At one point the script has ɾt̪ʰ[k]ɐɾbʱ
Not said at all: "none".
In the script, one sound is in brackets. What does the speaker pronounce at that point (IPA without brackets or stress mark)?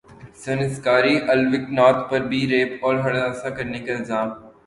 p